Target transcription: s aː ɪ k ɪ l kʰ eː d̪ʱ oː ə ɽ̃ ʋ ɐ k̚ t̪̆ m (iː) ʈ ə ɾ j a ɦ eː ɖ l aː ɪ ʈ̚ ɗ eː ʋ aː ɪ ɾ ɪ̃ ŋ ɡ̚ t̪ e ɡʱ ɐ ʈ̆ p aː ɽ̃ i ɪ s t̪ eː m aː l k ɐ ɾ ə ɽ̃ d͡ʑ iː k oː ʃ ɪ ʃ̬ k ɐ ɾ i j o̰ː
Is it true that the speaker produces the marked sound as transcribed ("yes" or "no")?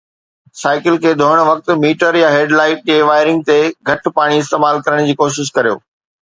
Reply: yes